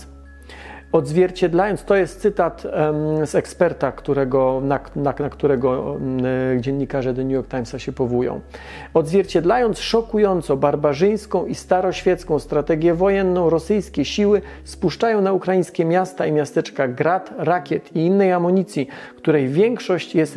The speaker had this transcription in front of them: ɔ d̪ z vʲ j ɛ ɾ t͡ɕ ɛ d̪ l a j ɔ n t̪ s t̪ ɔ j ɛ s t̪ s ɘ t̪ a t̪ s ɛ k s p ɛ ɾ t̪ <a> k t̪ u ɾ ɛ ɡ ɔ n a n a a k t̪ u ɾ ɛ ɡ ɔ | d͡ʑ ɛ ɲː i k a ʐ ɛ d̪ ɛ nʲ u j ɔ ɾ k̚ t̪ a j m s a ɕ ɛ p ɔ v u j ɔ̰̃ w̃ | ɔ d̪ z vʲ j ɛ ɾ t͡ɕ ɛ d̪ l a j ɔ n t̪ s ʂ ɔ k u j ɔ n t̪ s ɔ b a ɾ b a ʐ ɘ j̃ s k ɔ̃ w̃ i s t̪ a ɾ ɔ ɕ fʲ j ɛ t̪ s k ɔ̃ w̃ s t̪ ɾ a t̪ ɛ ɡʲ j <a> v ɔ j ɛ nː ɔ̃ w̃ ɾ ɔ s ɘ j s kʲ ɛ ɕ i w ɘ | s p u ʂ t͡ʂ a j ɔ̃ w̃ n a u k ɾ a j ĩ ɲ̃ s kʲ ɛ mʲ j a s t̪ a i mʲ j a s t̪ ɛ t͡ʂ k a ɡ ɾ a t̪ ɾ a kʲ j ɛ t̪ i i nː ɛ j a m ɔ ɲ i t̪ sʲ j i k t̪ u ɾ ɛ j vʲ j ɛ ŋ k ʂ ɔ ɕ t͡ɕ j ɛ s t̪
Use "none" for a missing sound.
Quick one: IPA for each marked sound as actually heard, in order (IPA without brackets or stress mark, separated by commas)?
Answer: a, ɛ